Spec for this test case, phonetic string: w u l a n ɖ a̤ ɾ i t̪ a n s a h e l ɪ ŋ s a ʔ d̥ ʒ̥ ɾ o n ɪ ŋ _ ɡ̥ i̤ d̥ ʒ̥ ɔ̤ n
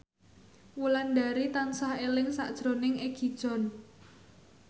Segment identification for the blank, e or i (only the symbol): e